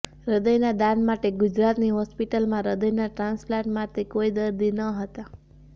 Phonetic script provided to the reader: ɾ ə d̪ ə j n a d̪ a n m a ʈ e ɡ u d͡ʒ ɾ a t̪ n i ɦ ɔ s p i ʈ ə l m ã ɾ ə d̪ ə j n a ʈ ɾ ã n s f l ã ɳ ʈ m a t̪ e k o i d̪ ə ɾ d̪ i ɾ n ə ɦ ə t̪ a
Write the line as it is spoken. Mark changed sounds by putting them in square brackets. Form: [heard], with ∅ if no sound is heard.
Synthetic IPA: ɾ ə d̪ ə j n a d̪ a n m a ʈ e ɡ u d͡ʒ ɾ a t̪ n i ɦ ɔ s p i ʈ ə l m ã ɾ ə d̪ ə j n a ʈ ɾ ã n s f l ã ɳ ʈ m a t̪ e k o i d̪ ə ɾ d̪ i [∅] n ə ɦ ə t̪ a